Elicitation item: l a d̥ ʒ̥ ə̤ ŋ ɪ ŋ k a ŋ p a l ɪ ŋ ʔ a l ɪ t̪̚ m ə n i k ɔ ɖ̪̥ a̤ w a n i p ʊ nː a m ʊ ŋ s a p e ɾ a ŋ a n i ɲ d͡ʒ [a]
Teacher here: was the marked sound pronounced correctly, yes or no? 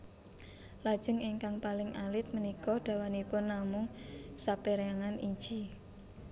no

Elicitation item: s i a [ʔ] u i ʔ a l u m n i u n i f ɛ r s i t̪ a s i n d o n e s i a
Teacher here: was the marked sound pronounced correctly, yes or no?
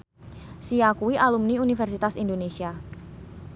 no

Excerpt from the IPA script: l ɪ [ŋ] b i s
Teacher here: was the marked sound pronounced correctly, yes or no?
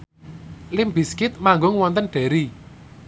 no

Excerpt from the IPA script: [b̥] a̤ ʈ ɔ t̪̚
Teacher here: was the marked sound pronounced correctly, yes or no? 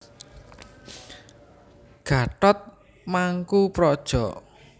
no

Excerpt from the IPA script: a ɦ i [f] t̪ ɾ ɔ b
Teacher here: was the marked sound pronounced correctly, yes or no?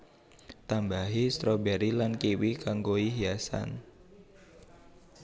no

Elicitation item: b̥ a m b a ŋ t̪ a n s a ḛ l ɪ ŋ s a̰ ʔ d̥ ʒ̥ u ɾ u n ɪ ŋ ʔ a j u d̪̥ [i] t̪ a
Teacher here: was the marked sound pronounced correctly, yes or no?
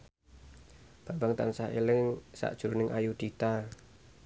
yes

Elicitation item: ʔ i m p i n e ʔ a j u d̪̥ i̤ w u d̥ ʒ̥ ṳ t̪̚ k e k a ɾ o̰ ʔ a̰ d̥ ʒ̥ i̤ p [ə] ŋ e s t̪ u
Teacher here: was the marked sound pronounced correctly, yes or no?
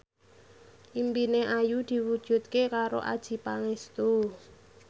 no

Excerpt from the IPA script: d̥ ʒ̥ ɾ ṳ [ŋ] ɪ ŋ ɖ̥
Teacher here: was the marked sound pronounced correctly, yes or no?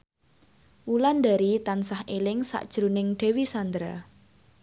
no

